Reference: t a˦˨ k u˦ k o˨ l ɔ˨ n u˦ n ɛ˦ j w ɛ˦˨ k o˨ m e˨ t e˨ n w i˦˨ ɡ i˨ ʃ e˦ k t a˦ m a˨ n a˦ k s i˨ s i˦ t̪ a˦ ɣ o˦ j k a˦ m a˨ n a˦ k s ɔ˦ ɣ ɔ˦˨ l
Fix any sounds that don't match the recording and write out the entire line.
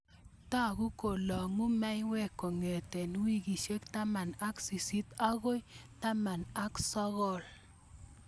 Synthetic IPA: t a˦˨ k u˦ k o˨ l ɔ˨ ŋ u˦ m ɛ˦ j w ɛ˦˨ k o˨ ŋ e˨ t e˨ n w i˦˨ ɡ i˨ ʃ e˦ k t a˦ m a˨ n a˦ k s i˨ s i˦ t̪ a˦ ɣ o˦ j t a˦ m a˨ n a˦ k s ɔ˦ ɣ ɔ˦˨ l